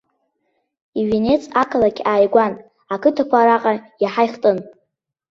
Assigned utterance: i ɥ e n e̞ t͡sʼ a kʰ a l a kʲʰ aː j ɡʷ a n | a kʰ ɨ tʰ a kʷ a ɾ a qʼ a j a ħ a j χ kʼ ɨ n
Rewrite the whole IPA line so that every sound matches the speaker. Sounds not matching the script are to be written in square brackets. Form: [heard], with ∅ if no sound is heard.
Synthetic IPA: i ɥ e n e̞ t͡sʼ a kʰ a l a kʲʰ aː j ɡʷ a n | a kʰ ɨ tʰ a kʷ a ɾ a qʼ a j a ħ a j χ [tʼ] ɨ n